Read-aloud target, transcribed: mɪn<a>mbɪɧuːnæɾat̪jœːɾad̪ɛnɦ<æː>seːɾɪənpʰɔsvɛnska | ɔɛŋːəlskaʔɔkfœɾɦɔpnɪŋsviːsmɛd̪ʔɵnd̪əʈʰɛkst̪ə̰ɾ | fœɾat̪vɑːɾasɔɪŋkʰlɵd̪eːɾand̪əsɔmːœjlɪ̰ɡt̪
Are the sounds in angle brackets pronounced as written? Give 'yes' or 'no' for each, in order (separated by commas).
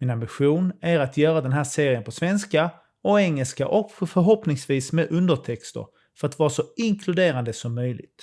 yes, yes